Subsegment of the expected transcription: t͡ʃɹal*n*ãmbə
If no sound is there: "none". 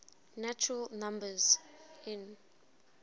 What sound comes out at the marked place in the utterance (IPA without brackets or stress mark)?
n